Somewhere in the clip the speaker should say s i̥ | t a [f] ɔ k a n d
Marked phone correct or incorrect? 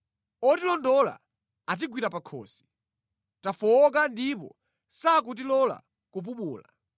correct